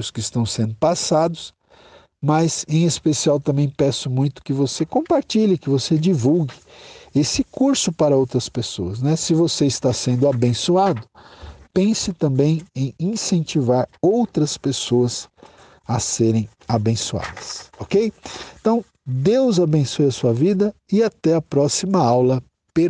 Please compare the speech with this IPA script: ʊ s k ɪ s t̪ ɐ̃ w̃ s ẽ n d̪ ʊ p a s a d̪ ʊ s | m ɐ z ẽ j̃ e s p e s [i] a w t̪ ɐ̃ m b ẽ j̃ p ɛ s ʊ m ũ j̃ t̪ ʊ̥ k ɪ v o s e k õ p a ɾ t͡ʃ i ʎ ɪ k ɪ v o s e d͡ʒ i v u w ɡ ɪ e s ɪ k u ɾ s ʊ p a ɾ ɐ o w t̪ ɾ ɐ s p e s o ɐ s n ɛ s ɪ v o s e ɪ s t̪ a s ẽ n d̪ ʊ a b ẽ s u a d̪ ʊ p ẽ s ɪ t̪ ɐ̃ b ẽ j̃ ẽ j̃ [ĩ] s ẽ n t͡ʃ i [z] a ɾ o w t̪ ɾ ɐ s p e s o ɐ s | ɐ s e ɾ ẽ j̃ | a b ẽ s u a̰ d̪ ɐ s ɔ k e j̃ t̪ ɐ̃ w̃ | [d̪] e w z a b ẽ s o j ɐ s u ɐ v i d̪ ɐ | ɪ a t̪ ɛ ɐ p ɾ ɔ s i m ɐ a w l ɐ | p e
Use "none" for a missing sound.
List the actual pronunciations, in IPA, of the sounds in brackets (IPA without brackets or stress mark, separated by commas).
i, ĩ, v, d̪